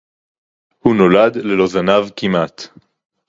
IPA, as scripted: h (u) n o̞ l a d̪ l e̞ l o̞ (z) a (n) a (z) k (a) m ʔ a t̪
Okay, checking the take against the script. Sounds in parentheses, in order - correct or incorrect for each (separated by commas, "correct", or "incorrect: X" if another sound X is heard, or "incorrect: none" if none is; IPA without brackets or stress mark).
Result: correct, correct, correct, incorrect: v, incorrect: i